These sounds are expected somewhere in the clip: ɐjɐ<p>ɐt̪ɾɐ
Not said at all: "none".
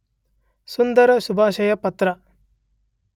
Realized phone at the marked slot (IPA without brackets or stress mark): p